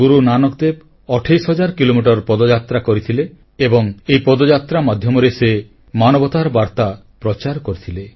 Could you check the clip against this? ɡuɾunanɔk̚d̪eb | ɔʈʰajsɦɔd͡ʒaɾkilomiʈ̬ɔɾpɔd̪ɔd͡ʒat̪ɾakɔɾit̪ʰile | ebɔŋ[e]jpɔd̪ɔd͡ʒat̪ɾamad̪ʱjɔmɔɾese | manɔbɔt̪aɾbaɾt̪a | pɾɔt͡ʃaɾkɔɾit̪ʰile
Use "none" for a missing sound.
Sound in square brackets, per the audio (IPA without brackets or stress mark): e